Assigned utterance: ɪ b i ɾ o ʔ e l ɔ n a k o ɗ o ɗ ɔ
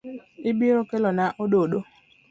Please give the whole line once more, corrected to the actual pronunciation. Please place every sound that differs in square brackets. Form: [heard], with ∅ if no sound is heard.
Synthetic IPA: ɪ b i ɾ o [k] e l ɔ n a [ʔ] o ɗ o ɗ [o]